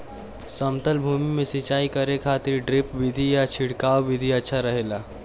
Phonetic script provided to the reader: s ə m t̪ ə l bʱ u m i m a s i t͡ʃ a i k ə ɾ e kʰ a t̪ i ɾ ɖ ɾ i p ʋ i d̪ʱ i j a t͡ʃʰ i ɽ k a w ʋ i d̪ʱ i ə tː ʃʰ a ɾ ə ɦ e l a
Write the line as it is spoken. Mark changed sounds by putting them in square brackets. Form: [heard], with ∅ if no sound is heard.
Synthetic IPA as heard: s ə m t̪ ə l bʱ u m i m [e] s i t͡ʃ a i k ə ɾ e kʰ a t̪ i ɾ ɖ ɾ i p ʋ i d̪ʱ i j a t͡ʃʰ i ɽ k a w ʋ i d̪ʱ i ə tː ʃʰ a ɾ ə ɦ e l a